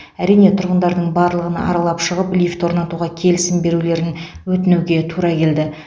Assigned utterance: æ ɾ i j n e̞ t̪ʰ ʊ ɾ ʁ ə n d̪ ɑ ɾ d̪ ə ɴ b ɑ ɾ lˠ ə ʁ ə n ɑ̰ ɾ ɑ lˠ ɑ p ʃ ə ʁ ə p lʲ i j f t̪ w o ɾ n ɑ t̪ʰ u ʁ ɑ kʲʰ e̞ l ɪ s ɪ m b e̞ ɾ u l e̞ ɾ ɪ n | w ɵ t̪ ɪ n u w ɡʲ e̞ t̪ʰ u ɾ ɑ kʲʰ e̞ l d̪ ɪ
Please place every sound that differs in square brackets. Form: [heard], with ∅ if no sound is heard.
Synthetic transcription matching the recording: æ ɾ i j n e̞ t̪ʰ ʊ ɾ ʁ ə n d̪ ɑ ɾ d̪ ə ɴ b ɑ ɾ lˠ ə ʁ ə n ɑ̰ ɾ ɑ lˠ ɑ p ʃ ə ʁ ə p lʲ i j f t̪ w o ɾ n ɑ [t̪] u ʁ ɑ kʲʰ e̞ l ɪ s ɪ m b e̞ ɾ u l e̞ ɾ ɪ n | w ɵ t̪ ɪ n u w ɡʲ e̞ t̪ʰ u ɾ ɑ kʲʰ e̞ l d̪ ɪ